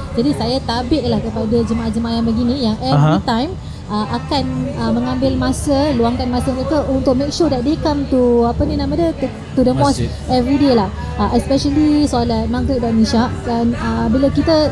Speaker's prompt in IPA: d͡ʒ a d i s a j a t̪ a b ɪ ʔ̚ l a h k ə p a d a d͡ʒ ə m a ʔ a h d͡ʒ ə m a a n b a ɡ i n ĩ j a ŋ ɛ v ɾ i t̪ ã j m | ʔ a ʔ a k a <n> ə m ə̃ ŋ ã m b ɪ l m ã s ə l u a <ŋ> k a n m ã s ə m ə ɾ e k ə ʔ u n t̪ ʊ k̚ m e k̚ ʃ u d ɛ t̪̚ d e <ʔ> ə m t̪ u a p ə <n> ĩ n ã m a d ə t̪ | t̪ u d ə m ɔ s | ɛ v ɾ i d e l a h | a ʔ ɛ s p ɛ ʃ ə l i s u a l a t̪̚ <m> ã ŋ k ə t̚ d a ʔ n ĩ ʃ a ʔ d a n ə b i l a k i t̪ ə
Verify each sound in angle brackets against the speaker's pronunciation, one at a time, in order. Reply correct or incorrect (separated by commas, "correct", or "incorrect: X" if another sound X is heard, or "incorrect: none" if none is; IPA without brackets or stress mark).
correct, correct, incorrect: k, correct, correct